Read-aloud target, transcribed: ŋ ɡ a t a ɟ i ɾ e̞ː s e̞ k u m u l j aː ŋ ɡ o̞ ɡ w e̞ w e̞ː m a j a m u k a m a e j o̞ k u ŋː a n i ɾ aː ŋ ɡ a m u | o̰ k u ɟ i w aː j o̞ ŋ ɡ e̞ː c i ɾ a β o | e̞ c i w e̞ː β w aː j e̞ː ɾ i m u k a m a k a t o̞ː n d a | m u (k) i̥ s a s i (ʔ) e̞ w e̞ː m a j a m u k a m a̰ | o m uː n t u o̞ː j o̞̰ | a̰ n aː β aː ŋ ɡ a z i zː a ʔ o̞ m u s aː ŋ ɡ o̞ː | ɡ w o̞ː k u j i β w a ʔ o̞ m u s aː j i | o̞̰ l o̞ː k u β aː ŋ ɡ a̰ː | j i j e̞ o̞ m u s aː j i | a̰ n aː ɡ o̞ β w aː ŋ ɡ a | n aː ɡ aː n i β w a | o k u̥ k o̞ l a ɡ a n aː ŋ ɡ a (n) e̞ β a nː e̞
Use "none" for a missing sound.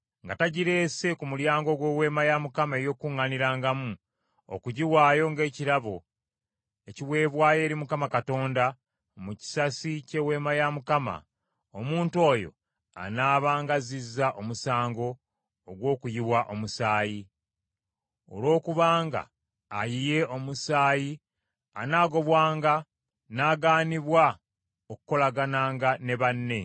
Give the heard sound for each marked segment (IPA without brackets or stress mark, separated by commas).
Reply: c, c, n